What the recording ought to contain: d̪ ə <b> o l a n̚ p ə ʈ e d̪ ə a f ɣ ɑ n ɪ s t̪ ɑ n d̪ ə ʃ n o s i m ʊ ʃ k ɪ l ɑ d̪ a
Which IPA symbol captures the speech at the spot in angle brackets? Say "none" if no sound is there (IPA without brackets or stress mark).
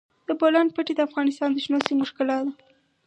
b